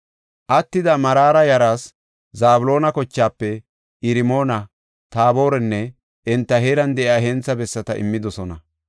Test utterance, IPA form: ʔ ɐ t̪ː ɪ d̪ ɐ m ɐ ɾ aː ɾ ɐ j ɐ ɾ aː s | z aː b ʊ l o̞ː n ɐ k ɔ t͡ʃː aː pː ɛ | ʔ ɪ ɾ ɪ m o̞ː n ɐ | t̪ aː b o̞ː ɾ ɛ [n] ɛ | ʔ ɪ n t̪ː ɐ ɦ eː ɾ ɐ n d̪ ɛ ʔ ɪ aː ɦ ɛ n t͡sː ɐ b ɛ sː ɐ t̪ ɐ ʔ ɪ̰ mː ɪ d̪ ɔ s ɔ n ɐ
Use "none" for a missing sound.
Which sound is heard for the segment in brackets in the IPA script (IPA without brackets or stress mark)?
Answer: nː